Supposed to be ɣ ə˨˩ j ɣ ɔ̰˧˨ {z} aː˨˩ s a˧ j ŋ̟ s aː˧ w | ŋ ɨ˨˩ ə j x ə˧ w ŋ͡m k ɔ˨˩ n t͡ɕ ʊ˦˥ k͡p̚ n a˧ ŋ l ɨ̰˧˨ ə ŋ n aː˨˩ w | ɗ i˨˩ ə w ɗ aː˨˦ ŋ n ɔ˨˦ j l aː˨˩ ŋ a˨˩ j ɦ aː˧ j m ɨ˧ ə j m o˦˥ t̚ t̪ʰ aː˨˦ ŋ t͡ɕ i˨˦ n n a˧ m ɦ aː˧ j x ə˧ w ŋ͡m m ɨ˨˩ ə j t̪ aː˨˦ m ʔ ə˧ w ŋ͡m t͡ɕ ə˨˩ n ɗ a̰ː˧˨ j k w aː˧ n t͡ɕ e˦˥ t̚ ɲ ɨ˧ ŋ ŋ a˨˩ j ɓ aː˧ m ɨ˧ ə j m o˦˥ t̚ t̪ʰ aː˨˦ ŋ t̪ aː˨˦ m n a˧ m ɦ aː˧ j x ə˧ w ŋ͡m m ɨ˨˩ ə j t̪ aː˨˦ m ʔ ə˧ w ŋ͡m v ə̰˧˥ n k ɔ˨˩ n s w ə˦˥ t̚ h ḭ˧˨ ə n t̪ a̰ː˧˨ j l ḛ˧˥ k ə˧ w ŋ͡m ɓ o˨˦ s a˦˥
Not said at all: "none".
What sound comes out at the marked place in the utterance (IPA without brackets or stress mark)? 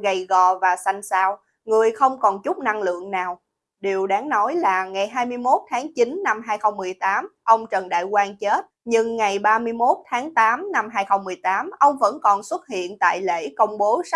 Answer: v